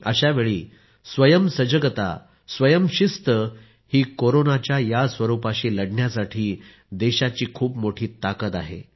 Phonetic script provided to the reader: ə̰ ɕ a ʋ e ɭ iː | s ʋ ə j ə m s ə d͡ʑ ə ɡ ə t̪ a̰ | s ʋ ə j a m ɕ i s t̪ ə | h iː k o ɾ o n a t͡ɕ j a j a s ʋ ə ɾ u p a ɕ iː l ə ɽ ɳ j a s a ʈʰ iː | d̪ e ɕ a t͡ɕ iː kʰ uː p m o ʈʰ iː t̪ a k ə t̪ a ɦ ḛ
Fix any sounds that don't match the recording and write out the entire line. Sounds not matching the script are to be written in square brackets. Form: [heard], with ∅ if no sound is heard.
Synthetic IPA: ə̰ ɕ a ʋ e ɭ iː | s ʋ ə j ə m s ə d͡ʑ ə ɡ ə t̪ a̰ | s ʋ ə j [ə] m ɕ i s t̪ ə | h iː k o ɾ o n a t͡ɕ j a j a s ʋ ə ɾ u p a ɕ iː l ə ɽ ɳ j a s a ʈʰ iː | d̪ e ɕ a t͡ɕ iː kʰ uː p m o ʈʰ iː t̪ a k ə t̪ a ɦ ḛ